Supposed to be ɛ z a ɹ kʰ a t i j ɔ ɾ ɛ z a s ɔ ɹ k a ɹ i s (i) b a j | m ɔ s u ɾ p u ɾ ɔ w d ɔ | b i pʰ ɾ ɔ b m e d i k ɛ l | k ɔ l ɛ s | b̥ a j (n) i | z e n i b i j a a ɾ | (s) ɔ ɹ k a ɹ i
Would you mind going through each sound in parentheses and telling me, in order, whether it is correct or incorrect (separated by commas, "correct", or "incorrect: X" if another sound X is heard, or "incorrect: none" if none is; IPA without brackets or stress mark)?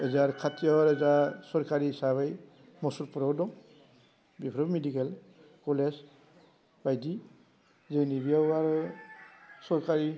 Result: incorrect: a, incorrect: d, correct